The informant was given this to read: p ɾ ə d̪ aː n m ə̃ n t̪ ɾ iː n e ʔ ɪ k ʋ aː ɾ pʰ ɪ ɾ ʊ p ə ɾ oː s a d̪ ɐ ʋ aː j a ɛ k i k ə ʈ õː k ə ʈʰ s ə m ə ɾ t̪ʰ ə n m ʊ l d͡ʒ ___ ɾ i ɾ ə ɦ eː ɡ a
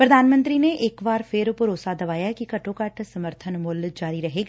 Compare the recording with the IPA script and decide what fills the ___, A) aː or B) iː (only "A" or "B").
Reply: A